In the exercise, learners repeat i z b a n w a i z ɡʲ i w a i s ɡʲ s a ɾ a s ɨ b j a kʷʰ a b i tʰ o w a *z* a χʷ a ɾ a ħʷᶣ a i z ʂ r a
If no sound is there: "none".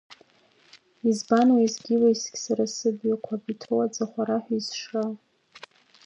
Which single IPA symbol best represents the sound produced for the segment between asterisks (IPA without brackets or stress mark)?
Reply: d͡z